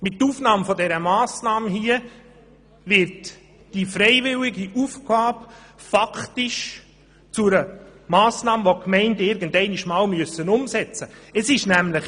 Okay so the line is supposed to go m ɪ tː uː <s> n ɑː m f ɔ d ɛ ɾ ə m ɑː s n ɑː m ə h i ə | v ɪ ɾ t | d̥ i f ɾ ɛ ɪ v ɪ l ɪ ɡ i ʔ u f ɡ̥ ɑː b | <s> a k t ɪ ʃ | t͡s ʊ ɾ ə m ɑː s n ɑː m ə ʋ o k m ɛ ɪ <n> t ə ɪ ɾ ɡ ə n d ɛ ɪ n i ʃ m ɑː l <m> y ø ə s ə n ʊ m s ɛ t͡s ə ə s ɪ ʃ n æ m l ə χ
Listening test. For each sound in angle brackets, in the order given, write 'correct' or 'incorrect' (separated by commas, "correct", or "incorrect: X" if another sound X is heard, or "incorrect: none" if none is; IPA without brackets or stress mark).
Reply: incorrect: f, incorrect: f, correct, correct